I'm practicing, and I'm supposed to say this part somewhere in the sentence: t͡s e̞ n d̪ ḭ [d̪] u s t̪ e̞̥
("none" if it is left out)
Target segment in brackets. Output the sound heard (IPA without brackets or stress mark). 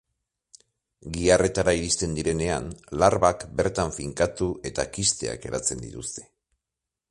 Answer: t̪